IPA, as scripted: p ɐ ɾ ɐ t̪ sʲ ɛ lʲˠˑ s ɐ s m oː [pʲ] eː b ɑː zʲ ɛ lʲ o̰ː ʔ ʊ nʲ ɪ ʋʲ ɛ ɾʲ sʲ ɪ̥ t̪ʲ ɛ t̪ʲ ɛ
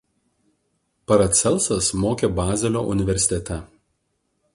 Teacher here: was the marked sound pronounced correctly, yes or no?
no